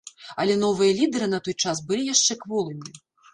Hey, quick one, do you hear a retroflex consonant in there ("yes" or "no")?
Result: yes